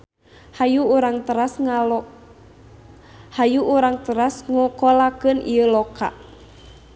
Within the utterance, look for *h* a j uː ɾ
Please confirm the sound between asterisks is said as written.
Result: yes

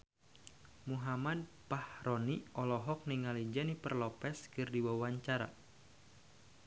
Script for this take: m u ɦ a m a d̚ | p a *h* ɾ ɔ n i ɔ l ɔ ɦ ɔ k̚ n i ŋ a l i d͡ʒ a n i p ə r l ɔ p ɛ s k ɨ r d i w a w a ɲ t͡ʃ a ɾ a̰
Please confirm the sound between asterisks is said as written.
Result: yes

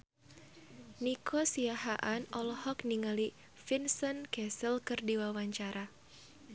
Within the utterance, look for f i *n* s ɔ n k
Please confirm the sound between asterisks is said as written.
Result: yes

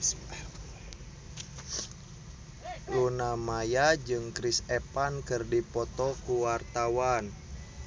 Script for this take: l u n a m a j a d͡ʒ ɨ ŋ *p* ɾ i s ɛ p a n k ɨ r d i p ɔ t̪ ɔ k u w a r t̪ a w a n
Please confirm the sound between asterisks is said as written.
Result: no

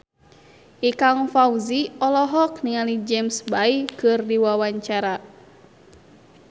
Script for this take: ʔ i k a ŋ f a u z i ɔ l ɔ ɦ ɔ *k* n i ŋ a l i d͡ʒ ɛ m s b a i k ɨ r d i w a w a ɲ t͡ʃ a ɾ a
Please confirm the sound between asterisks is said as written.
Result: yes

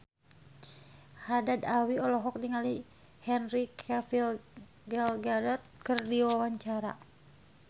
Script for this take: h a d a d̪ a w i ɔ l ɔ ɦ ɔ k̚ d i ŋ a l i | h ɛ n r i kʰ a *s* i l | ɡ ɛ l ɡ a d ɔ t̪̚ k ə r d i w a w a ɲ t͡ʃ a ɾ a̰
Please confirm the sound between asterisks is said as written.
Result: no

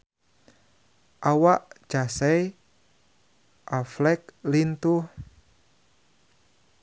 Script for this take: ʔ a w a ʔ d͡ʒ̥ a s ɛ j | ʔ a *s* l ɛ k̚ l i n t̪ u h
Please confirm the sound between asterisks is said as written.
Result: no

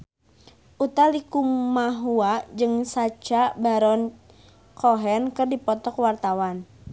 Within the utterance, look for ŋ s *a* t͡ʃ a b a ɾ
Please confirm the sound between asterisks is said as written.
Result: yes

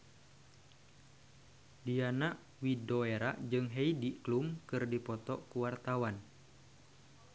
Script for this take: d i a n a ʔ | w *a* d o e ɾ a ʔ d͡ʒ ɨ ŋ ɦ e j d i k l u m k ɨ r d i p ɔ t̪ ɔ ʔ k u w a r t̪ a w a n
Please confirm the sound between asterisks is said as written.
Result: no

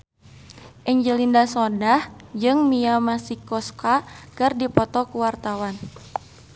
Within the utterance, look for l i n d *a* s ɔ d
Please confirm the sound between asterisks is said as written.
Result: yes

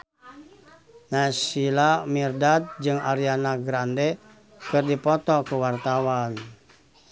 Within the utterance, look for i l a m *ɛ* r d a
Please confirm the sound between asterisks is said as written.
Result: no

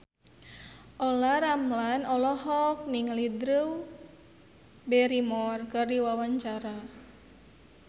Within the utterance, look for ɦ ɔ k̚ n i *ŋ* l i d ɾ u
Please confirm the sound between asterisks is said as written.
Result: yes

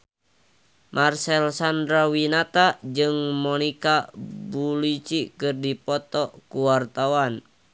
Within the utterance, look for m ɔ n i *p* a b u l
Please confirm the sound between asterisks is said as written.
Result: no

